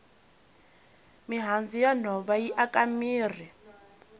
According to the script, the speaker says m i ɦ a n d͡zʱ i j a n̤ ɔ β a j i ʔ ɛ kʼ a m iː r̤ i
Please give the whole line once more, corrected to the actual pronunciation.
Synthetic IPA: m i ɦ a n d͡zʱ i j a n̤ ɔ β a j i ʔ a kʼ a m iː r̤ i